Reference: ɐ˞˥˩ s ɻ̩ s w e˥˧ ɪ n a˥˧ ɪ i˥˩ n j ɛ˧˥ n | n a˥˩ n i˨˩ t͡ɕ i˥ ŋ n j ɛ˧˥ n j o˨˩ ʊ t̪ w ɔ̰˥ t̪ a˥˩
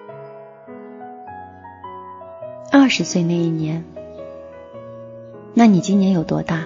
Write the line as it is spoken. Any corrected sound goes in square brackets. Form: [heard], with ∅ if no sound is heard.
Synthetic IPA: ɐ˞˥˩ [ʂ] ɻ̩ s w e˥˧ ɪ n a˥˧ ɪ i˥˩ n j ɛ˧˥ n | n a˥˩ n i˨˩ t͡ɕ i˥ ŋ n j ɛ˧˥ n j o˨˩ ʊ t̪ w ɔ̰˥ t̪ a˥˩